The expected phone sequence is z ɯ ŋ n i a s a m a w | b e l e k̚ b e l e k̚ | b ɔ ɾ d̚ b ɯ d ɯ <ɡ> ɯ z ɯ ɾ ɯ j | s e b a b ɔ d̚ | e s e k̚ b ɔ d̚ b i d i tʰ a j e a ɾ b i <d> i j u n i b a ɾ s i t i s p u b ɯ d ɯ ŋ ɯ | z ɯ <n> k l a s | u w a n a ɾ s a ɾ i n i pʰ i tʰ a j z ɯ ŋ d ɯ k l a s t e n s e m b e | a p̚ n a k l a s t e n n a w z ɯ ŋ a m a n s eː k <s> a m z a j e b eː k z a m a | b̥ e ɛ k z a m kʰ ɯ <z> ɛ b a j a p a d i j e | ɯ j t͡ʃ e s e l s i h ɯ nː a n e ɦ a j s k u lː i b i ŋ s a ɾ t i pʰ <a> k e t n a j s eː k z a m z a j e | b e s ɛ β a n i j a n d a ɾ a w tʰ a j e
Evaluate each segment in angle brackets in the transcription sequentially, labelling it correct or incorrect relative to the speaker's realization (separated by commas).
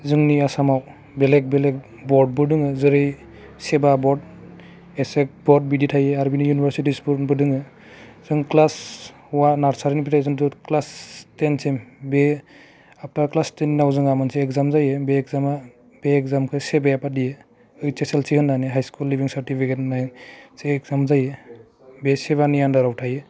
incorrect, incorrect, incorrect, incorrect, incorrect, incorrect